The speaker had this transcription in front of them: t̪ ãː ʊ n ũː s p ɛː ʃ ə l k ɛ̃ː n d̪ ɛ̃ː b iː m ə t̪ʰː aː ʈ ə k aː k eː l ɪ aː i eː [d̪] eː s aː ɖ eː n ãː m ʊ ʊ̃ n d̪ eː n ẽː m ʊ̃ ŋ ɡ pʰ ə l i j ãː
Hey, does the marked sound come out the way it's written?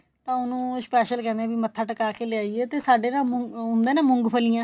no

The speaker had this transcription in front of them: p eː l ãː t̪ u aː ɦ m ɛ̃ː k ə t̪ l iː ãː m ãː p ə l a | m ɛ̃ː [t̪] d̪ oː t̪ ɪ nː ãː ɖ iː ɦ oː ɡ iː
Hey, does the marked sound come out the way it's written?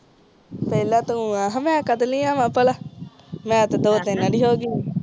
yes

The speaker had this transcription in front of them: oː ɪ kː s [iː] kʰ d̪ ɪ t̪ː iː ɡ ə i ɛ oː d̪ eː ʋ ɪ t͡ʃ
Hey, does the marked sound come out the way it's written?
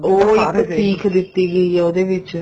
yes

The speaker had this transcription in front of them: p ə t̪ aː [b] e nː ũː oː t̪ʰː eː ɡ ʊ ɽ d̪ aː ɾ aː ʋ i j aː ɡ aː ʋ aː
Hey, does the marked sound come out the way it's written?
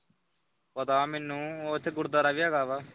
no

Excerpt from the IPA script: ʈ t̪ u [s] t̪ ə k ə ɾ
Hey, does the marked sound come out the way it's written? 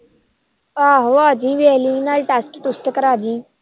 yes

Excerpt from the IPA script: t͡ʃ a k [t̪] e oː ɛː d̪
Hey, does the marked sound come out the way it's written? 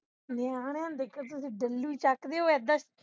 no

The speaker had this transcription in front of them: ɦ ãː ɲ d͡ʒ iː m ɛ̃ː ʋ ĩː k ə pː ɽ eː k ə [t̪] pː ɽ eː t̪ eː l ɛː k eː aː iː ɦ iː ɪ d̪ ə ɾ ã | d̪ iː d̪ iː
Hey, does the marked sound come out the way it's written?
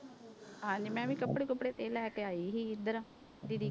no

